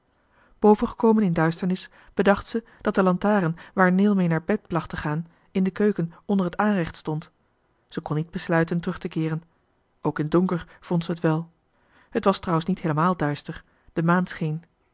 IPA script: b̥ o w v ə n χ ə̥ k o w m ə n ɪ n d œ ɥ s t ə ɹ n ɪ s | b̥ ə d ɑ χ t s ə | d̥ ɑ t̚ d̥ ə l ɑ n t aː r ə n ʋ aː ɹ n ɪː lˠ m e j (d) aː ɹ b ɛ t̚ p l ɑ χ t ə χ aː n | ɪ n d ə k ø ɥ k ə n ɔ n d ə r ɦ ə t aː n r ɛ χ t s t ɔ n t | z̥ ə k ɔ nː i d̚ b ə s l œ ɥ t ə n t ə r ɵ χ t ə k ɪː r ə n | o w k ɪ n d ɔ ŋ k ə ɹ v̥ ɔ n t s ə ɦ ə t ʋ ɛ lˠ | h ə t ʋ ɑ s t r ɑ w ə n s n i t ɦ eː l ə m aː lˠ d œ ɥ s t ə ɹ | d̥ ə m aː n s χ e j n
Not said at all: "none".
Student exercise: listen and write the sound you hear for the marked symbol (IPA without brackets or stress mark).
n